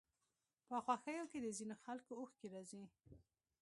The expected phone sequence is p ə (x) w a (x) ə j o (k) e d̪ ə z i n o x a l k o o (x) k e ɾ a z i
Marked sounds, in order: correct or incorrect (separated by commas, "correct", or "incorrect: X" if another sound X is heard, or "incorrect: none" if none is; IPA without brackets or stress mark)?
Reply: correct, correct, correct, correct